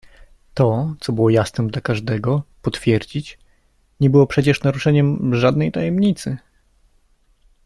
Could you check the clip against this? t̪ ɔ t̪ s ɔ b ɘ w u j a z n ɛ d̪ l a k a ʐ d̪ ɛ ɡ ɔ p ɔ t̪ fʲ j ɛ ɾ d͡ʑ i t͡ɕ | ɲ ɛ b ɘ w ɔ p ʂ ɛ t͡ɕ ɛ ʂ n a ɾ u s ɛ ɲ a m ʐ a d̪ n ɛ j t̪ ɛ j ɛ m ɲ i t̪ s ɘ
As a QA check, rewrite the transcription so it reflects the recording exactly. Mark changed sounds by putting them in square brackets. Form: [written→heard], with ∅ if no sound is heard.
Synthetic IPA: t̪ ɔ t̪ s ɔ b ɘ w [u→ɔ] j a [z→s] n ɛ d̪ l a k a ʐ d̪ ɛ ɡ ɔ p ɔ t̪ fʲ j ɛ ɾ d͡ʑ i t͡ɕ | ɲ ɛ b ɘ w ɔ p ʂ ɛ t͡ɕ ɛ ʂ n a ɾ u [s→ʂ] ɛ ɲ [a→ɛ] m ʐ a d̪ n ɛ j t̪ [ɛ→a] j ɛ m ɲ i t̪ s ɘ